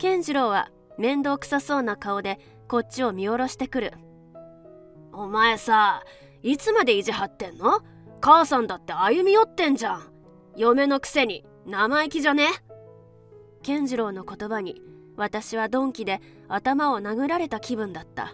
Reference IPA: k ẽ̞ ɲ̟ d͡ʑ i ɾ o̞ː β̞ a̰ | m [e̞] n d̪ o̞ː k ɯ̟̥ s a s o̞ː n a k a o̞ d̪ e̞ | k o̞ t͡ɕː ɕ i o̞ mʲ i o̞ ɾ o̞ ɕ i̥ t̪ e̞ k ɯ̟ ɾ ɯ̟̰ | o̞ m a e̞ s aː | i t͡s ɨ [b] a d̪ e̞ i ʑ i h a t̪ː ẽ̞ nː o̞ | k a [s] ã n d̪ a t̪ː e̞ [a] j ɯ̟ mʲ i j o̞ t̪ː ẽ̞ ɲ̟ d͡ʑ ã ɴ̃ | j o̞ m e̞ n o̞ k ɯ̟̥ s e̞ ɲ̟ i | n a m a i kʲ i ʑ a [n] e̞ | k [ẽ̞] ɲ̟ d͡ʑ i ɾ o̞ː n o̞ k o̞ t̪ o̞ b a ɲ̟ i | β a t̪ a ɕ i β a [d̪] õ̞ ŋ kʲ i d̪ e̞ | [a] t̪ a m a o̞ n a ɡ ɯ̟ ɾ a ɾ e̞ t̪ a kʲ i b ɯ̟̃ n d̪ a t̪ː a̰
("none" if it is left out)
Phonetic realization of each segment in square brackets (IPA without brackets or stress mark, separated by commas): ẽ̞, m, s, a, n, ẽ̞, d̪, a